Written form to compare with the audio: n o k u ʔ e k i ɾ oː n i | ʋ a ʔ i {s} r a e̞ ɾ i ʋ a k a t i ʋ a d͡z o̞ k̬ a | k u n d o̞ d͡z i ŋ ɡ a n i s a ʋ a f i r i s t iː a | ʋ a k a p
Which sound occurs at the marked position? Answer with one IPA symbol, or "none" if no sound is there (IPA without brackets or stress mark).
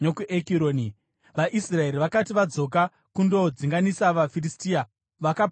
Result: s